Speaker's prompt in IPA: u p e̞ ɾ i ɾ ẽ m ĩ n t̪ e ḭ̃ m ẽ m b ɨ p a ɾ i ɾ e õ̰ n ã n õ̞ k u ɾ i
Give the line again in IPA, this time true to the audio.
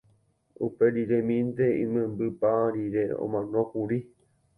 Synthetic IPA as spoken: u p e̞ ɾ i ɾ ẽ m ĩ n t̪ e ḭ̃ m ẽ m b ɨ p a ɾ i ɾ e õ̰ m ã n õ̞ k u ɾ i